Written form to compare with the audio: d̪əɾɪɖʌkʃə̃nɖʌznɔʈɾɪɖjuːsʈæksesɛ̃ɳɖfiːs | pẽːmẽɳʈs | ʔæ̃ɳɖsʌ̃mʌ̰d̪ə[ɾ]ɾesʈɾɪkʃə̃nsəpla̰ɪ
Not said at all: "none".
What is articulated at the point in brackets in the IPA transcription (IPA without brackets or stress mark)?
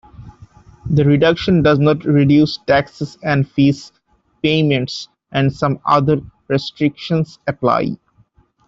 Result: ɾ